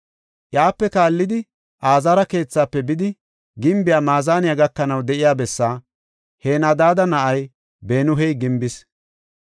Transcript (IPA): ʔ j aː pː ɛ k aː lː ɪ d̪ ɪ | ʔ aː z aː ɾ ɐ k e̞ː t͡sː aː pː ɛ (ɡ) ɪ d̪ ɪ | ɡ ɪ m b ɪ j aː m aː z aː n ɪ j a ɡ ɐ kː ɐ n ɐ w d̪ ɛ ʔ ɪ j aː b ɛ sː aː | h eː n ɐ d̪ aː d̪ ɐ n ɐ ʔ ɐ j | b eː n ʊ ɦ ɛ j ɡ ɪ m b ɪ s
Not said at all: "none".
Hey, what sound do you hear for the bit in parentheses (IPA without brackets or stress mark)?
b